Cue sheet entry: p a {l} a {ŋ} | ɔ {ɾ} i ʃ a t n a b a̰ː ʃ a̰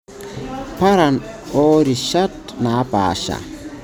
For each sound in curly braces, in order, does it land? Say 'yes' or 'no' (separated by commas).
no, no, yes